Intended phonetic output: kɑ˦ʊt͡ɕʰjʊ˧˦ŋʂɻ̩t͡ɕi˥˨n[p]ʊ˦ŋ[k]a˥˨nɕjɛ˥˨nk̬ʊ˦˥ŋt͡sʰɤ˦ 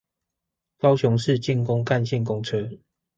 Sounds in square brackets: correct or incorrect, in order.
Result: incorrect, correct

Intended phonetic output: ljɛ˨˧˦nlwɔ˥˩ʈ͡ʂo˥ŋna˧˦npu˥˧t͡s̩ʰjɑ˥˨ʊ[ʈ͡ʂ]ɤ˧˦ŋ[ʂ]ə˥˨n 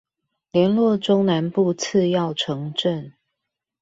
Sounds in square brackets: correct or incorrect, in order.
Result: incorrect, incorrect

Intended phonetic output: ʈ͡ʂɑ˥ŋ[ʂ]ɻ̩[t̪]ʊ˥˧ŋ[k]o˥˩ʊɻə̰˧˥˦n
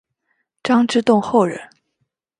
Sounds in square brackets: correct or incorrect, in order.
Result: incorrect, correct, incorrect

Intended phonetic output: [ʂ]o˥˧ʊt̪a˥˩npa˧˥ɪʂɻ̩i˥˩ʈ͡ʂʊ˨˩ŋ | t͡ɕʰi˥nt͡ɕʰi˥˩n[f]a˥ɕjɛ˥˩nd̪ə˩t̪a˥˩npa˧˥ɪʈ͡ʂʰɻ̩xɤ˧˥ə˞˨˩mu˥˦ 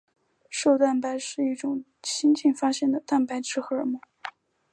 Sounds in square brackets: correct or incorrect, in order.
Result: correct, correct

